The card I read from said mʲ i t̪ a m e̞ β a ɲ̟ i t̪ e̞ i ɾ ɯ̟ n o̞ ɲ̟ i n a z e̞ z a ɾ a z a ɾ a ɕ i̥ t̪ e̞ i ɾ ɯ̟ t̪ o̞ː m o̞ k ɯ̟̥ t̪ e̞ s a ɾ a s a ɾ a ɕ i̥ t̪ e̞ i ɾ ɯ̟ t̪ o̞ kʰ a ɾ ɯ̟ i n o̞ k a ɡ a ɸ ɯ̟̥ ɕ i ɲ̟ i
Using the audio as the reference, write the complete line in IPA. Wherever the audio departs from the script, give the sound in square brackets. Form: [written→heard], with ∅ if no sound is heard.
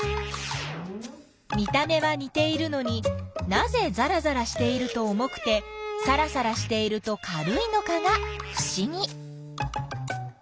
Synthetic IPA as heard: mʲ i t̪ a m e̞ β a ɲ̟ i t̪ e̞ i ɾ ɯ̟ n o̞ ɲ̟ i n a z e̞ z a ɾ a z a ɾ a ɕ i̥ t̪ e̞ i ɾ ɯ̟ t̪ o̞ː m o̞ k ɯ̟̥ t̪ e̞ s a ɾ a s a ɾ a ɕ i̥ t̪ e̞ i ɾ ɯ̟ t̪ o̞ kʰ a ɾ ɯ̟ i n o̞ k a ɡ a ɸ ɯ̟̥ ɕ i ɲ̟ i